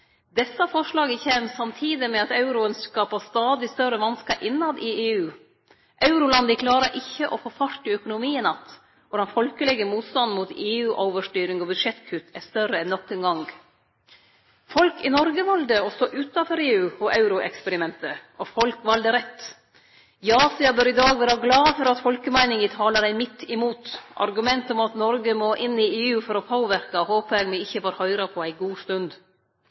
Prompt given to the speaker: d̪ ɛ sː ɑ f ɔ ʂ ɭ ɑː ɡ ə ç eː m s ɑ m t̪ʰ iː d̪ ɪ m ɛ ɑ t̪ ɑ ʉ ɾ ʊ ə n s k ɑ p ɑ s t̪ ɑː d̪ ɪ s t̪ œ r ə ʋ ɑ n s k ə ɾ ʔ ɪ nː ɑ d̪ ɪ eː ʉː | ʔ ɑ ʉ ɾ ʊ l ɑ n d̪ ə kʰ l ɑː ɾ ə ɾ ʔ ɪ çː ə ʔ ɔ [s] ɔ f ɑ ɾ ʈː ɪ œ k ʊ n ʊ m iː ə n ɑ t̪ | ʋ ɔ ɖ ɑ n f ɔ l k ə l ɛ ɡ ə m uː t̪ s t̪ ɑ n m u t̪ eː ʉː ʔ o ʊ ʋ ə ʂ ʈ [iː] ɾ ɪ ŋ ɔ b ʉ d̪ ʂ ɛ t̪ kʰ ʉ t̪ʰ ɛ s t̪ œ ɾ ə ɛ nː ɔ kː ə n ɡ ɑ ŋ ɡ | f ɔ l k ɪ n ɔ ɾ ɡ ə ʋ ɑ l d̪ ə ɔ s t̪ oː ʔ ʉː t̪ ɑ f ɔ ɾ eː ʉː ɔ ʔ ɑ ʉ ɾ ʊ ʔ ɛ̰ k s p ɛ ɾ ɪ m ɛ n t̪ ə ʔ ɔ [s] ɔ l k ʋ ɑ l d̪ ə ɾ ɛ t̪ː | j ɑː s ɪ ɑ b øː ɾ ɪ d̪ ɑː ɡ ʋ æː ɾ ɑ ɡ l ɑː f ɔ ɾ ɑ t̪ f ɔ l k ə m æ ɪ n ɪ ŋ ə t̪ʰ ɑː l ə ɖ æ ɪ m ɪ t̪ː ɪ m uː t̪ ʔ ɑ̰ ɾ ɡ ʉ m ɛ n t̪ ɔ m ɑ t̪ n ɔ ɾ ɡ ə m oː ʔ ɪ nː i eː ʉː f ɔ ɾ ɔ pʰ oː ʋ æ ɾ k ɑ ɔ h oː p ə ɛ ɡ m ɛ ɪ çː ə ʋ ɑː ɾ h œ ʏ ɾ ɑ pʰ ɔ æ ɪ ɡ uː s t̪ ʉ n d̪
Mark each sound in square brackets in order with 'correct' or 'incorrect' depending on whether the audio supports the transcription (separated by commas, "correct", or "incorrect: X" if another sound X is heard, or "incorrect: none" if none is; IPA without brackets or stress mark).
incorrect: f, incorrect: yː, incorrect: f